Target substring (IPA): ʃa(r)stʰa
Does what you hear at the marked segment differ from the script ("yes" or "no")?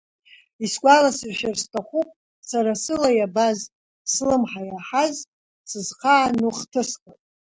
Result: no